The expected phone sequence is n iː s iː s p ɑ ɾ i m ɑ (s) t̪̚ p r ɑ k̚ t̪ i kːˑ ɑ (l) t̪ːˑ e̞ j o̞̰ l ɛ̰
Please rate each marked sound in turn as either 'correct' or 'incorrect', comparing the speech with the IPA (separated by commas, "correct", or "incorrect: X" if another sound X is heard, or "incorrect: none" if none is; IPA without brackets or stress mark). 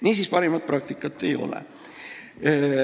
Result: incorrect: none, incorrect: none